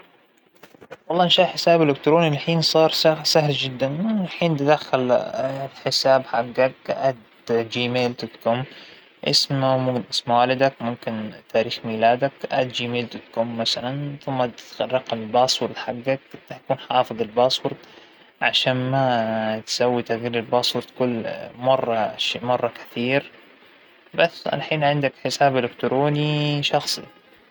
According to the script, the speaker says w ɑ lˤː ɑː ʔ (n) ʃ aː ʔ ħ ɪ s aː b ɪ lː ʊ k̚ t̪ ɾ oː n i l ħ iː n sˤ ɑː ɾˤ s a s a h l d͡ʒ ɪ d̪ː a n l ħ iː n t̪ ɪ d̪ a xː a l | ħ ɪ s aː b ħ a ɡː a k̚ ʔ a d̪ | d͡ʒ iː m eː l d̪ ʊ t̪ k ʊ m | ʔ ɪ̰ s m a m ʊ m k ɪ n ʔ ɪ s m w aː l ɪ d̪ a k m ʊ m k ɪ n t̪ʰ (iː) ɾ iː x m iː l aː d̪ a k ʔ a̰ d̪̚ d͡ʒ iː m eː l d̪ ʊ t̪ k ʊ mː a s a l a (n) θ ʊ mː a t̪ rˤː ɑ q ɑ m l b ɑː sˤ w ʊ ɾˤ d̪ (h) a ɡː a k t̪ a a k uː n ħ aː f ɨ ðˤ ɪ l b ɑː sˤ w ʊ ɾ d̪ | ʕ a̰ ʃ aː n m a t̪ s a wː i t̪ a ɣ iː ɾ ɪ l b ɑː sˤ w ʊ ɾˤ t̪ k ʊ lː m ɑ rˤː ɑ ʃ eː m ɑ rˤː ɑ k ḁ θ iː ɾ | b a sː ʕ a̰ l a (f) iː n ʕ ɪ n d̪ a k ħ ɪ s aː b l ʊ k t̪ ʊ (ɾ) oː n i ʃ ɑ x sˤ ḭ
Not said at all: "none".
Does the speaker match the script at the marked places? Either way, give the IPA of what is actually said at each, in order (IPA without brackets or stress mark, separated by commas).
n, aː, n, ħ, ħ, ɾ